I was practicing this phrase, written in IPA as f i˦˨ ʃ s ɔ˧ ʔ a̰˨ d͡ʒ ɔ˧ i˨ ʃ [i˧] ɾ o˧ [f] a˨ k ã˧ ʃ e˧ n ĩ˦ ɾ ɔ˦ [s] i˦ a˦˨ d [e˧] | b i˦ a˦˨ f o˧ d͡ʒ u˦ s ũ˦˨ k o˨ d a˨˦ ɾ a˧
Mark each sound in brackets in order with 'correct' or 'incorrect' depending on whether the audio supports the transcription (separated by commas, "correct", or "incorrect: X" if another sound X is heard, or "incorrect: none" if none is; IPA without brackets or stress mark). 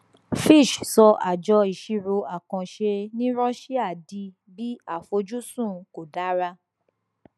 correct, incorrect: none, incorrect: ʃ, incorrect: i˧